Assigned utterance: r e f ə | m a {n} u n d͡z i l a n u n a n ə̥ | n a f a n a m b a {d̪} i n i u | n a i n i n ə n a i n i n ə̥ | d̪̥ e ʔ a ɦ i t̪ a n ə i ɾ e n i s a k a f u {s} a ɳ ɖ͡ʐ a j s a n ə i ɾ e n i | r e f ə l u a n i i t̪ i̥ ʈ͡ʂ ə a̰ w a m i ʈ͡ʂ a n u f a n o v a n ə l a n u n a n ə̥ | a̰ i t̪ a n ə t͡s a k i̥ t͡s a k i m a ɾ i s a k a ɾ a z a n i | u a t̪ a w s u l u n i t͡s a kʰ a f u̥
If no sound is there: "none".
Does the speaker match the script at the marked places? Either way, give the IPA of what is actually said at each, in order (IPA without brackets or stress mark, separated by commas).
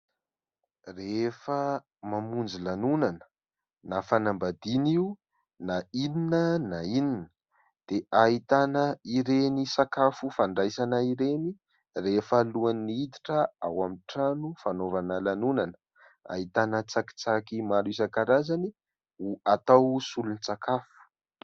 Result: m, d̪, f